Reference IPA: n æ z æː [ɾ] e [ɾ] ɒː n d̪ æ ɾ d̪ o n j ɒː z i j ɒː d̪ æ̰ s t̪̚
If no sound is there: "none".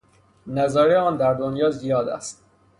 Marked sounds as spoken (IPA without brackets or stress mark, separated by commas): ɾ, none